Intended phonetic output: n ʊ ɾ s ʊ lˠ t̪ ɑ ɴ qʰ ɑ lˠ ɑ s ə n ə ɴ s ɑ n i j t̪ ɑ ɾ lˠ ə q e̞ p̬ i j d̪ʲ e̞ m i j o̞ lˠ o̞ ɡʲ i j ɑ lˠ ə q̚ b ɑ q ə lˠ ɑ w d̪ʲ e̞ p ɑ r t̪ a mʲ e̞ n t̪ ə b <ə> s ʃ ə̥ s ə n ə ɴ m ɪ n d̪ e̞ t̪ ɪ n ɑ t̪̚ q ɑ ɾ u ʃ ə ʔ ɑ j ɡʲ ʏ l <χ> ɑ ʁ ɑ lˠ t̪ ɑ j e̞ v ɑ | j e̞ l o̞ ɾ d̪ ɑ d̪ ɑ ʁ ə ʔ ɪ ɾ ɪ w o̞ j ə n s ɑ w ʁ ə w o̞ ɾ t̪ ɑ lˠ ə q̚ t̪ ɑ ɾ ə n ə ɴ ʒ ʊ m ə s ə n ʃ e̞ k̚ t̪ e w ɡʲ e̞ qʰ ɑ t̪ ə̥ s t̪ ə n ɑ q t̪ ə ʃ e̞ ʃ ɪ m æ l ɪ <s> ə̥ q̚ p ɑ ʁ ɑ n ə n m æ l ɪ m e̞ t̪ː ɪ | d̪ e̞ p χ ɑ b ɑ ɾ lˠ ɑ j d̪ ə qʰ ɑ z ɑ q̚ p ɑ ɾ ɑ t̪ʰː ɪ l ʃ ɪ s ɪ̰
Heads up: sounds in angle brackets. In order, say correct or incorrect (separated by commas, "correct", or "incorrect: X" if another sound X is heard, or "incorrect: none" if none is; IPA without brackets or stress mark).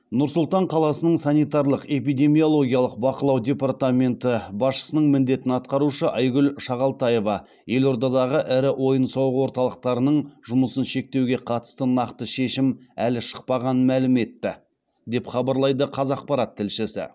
incorrect: ɑ, incorrect: ʃ, incorrect: ʃ